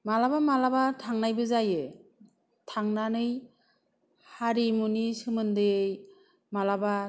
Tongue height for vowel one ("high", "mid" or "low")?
low